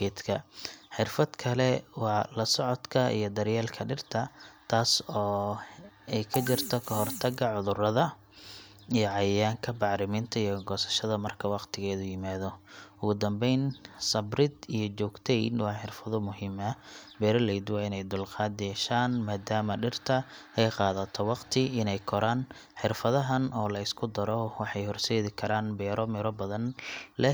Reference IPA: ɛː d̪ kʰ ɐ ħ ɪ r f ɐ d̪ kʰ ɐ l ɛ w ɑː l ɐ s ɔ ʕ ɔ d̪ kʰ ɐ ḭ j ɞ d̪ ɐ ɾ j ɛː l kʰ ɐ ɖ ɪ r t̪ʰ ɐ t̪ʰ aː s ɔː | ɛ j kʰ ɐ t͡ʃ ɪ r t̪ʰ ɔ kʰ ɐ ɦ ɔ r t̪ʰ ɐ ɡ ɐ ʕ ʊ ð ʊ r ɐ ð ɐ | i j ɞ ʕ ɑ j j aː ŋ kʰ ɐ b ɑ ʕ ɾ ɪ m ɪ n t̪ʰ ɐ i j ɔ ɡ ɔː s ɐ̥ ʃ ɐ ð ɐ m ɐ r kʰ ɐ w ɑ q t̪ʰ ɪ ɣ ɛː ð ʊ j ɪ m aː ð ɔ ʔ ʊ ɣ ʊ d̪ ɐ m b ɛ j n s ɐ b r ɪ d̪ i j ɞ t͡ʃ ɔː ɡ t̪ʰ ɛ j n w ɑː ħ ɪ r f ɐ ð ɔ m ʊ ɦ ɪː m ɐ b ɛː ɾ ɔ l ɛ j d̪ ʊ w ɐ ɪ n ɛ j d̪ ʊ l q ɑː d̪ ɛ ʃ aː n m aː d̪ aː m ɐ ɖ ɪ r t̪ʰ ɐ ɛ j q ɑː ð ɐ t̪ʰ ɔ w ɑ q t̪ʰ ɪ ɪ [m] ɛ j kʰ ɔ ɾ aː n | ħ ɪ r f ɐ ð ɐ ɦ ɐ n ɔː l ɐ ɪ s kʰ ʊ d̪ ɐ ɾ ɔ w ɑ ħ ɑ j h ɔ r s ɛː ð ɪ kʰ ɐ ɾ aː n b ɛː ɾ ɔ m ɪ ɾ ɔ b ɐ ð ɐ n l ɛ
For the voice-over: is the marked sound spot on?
no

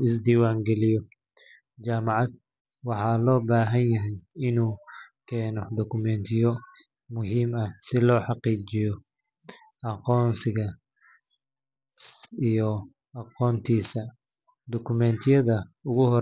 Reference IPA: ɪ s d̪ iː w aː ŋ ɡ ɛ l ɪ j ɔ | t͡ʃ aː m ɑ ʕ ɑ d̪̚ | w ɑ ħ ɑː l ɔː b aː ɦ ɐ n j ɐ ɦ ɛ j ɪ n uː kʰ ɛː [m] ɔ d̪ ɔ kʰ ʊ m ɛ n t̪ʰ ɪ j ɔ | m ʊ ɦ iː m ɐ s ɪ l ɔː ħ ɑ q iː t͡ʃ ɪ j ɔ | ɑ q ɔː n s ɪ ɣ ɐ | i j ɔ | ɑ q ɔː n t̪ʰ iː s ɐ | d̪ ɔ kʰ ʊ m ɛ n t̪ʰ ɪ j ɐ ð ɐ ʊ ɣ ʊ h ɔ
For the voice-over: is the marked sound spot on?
no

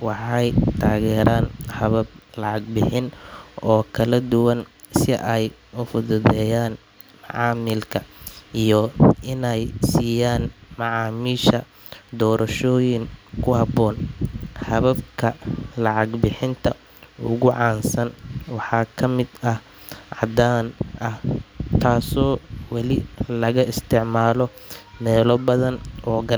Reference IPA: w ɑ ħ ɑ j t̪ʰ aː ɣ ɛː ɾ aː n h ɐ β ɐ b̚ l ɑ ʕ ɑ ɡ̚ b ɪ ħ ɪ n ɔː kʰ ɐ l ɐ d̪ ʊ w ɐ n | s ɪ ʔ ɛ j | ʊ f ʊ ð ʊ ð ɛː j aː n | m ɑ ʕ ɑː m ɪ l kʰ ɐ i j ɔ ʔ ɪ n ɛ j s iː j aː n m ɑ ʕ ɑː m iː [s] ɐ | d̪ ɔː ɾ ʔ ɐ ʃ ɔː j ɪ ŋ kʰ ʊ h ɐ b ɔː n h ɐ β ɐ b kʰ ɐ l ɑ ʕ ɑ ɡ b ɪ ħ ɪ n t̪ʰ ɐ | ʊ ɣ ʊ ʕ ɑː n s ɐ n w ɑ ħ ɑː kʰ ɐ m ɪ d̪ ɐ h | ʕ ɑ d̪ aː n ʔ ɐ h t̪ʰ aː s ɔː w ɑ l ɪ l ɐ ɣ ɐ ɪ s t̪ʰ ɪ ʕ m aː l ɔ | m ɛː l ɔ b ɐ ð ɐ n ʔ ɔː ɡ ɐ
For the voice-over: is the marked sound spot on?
no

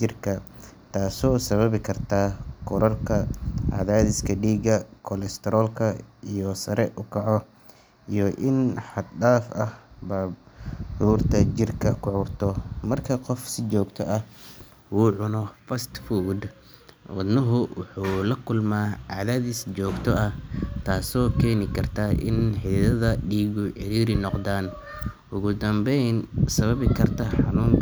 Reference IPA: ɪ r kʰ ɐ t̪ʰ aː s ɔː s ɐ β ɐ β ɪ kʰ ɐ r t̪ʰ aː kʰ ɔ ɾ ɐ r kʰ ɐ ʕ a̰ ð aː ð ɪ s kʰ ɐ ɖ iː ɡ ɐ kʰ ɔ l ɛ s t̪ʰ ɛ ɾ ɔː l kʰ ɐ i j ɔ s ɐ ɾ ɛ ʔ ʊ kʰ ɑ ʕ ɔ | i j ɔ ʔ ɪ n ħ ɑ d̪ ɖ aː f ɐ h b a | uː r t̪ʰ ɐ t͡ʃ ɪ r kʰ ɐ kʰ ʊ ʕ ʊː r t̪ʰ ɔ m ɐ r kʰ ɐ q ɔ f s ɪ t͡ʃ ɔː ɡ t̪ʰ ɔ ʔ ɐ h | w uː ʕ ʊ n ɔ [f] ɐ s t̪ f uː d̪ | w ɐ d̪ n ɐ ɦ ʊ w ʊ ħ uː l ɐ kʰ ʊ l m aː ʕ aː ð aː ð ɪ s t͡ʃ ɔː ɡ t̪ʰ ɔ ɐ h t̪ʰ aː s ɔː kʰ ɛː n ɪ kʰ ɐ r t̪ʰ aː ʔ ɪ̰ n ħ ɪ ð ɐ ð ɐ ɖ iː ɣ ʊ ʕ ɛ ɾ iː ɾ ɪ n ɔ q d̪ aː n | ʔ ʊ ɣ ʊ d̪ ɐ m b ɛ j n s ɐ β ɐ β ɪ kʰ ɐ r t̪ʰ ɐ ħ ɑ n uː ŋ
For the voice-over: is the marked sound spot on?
yes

